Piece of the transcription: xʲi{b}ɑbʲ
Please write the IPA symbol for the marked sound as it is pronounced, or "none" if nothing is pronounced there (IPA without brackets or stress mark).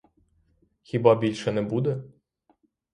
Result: b